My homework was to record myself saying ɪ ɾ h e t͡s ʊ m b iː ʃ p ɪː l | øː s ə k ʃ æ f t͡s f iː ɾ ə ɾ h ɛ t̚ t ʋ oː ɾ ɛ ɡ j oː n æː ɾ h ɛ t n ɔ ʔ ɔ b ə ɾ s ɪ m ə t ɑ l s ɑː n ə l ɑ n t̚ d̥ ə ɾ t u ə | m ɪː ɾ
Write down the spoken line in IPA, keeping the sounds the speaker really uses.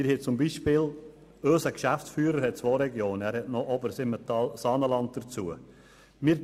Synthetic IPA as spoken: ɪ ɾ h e t͡s ʊ m b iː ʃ p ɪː l | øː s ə k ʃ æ f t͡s f yː ɾ ə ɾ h ɛ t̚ t͡s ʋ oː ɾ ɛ ɡ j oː n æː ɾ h ɛ t n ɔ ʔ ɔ b ə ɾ s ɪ m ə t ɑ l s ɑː n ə l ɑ n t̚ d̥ ə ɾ t͡s u ə | m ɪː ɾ